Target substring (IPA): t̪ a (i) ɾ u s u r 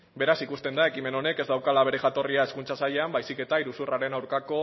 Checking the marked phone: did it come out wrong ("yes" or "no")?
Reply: no